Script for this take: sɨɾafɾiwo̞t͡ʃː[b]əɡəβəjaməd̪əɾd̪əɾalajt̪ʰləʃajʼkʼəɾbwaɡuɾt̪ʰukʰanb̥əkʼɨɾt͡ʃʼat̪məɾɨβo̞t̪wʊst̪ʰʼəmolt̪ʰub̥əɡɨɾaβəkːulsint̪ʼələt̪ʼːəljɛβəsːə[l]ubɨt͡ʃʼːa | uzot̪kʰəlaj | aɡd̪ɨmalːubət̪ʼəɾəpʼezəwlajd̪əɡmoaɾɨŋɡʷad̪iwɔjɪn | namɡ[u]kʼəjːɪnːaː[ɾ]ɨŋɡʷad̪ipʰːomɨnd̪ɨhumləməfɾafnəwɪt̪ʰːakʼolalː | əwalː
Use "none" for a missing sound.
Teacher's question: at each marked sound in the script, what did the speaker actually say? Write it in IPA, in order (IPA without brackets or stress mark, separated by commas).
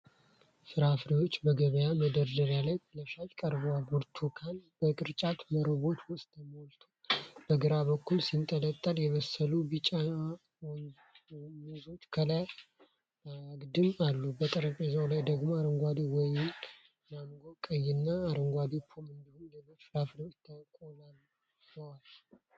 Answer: b, l, o, ɾ